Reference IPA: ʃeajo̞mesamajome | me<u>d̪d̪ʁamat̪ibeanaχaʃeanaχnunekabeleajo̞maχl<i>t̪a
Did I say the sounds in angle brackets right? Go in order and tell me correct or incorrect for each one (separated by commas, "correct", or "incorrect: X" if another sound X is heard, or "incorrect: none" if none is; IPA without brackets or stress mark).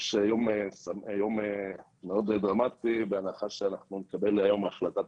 incorrect: o, incorrect: a